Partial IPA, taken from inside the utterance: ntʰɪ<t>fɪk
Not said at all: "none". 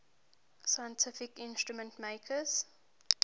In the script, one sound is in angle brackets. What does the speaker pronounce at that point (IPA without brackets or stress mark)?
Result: none